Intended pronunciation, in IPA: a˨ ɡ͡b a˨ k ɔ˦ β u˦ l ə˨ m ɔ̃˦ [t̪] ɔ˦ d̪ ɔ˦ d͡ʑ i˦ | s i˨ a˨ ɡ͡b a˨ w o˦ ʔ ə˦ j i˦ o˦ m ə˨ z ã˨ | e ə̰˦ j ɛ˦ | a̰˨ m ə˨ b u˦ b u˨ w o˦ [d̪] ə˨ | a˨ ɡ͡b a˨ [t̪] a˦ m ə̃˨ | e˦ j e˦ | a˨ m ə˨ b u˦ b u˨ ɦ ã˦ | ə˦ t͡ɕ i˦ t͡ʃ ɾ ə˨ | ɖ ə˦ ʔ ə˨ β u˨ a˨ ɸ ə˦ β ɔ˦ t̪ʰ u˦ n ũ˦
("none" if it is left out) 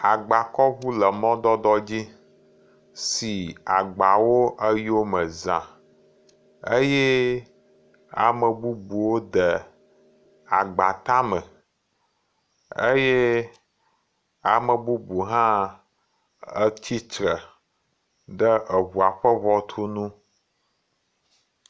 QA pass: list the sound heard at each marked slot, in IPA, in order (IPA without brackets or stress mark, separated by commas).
d̪, d̪, t̪